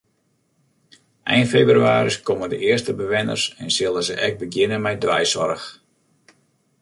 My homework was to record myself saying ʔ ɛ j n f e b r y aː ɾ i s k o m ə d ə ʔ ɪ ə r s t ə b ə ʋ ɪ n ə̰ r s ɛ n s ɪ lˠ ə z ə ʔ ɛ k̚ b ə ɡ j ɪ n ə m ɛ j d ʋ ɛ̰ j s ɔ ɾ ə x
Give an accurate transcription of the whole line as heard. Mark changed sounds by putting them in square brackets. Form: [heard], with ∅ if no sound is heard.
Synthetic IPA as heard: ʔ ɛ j n f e b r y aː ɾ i s k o m ə d ə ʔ ɪ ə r s t ə b ə ʋ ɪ n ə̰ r s ɛ n s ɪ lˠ ə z ə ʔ ɛ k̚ b ə ɡ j ɪ n ə m ɛ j d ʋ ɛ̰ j s ɔ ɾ ə x